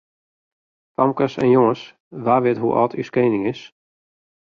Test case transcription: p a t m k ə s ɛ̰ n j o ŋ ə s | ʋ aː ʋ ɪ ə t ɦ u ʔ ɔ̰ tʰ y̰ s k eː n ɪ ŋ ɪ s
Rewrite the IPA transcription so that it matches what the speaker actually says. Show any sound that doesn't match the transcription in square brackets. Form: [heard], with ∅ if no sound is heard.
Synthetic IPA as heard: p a [∅] m k ə s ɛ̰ n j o ŋ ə s | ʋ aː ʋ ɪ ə t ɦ u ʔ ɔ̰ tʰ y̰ s k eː n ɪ ŋ ɪ s